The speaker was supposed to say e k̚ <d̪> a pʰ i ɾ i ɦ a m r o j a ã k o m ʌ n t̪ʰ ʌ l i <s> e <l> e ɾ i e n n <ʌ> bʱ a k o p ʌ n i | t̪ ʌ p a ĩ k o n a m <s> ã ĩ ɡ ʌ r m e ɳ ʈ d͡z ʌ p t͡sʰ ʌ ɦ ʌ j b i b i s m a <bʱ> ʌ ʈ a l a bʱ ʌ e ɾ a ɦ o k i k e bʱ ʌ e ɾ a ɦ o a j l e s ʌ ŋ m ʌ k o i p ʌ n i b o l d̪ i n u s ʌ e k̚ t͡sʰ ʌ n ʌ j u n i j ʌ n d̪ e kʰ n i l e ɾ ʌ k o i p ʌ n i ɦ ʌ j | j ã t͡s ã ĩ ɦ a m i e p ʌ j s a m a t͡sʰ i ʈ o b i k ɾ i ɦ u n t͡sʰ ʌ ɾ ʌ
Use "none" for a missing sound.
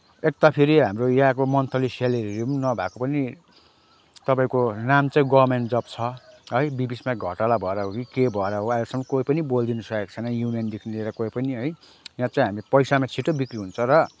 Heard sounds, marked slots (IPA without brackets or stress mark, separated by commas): t̪, s, l, ʌ, t͡s, ɡʱ